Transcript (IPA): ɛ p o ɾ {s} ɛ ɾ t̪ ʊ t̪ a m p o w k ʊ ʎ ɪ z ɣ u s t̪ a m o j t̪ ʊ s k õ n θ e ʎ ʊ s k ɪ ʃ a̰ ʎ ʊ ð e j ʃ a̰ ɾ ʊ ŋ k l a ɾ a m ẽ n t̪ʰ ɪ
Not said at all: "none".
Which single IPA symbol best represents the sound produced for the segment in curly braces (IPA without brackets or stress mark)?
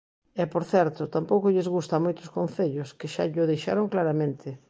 θ